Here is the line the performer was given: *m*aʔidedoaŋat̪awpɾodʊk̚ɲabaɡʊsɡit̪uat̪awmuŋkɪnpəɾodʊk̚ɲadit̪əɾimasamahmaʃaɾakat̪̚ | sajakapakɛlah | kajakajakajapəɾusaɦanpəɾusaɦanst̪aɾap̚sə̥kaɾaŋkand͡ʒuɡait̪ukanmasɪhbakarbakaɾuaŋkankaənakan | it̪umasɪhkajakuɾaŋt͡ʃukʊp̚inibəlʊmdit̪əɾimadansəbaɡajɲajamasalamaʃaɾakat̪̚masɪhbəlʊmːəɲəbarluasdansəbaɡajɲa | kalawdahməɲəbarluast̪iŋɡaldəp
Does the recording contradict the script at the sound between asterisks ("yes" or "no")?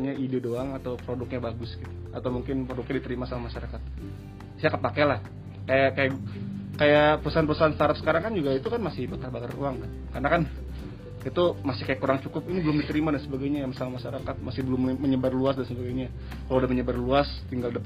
yes